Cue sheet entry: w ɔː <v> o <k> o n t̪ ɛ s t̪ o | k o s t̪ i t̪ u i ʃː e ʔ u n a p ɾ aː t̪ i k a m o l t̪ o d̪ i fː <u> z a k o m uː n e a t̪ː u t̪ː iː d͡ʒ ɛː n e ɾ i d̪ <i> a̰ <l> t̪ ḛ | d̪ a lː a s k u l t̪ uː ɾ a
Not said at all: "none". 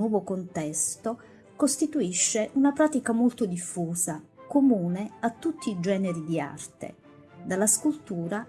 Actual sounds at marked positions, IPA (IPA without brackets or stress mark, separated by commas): v, k, uː, i, r